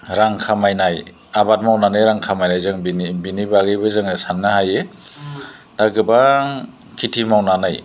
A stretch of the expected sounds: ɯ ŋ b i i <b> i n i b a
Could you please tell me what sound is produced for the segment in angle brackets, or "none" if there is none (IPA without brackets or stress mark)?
b